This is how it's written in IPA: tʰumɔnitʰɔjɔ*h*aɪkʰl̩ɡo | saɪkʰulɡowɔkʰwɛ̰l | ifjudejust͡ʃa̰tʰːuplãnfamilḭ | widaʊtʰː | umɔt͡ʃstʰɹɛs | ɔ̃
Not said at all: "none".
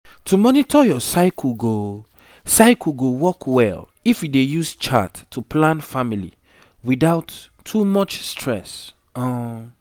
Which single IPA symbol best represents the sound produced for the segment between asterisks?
s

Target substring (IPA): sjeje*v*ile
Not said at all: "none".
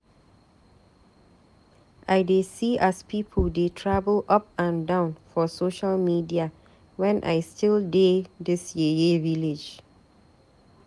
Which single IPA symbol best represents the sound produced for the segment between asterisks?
v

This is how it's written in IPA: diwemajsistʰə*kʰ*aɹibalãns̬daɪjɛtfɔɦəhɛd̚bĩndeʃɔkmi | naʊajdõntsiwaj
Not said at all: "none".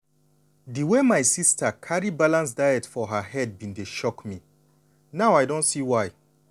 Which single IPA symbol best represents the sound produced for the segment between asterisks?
kʰ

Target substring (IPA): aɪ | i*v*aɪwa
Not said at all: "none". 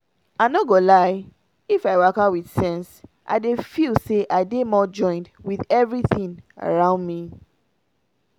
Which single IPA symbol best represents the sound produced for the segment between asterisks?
f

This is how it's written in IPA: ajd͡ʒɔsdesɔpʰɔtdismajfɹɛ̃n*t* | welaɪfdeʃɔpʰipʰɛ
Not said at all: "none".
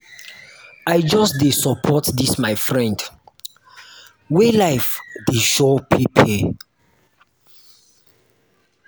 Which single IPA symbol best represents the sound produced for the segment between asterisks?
d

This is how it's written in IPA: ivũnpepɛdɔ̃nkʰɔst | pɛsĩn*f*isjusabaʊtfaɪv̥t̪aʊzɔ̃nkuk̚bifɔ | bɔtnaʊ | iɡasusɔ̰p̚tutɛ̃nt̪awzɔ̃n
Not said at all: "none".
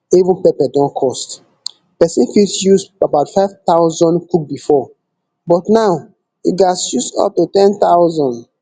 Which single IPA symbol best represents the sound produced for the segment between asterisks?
f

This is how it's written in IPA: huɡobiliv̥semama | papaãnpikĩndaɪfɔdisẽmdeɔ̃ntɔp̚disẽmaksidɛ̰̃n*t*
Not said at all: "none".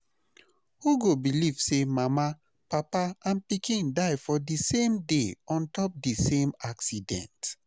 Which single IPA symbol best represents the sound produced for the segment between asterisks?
t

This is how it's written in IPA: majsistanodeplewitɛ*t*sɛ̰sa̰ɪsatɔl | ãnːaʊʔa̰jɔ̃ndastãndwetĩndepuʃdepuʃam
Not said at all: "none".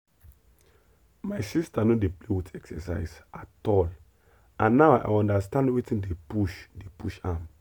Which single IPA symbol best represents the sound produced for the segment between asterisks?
k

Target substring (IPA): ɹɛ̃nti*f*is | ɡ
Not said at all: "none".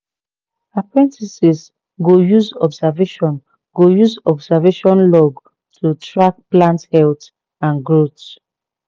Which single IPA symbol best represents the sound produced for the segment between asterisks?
s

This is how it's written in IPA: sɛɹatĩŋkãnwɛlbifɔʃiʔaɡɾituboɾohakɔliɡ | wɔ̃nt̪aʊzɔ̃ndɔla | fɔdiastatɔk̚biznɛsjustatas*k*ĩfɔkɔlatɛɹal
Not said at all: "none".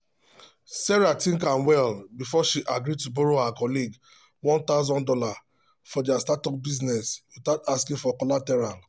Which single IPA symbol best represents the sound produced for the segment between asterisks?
k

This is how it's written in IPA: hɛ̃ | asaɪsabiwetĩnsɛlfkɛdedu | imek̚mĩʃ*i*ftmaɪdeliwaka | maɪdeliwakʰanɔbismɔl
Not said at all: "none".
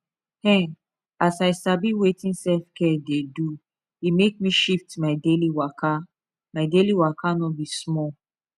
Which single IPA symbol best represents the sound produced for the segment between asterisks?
i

